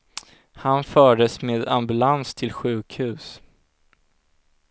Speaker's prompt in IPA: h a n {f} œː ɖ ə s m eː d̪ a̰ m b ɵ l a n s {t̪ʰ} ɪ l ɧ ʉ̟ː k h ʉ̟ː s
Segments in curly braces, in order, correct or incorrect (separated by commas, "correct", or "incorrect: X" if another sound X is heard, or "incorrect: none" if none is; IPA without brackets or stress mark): correct, correct